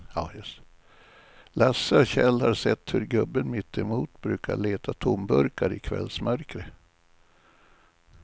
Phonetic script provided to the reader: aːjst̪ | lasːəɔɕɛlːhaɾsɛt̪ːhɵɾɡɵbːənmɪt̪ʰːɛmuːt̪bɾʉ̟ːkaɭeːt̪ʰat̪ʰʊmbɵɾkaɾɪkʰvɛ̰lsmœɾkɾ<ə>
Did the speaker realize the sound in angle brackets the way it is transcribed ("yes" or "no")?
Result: yes